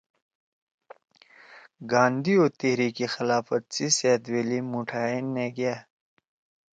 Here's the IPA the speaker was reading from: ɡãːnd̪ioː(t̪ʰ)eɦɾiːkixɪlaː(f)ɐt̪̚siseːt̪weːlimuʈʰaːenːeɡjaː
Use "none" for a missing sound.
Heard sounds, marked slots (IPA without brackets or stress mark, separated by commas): t̪, f